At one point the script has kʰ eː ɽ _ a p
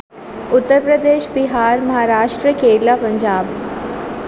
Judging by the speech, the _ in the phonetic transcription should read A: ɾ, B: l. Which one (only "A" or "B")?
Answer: B